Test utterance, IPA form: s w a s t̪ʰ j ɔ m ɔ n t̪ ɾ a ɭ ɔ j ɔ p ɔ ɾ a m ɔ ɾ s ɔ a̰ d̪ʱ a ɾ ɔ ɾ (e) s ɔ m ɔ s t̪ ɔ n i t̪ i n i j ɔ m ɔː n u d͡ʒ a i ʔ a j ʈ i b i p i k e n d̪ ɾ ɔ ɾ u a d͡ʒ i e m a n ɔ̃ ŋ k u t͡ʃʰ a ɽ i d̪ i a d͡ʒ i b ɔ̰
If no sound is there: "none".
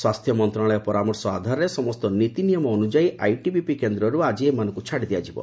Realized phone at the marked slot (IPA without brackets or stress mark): e